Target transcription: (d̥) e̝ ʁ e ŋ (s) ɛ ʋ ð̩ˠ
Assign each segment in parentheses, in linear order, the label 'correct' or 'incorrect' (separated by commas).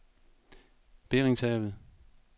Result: incorrect, correct